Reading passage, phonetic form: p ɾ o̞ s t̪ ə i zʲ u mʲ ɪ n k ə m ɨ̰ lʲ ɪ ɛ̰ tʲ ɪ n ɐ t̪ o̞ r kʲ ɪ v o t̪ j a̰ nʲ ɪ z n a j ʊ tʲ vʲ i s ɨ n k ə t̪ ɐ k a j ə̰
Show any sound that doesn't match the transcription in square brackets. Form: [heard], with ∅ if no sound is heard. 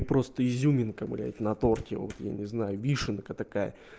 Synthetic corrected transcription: p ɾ o̞ s t̪ ə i zʲ u mʲ ɪ n k ə m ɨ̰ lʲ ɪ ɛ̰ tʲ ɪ n ɐ t̪ o̞ r kʲ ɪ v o t̪ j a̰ nʲ ɪ z n a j ʊ [∅] vʲ i [ʂ] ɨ n k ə t̪ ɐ k a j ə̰